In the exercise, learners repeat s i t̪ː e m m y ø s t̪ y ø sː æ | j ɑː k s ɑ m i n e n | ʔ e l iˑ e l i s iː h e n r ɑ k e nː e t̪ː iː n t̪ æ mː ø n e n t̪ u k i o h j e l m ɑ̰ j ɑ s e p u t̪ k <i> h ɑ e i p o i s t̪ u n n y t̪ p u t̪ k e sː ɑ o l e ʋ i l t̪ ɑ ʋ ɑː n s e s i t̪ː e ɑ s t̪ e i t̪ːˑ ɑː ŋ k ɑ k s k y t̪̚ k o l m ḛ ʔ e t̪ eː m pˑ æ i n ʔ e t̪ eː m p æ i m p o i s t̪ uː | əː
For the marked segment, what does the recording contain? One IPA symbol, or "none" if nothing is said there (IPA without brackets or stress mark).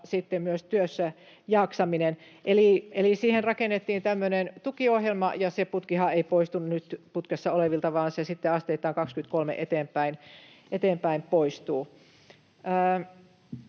i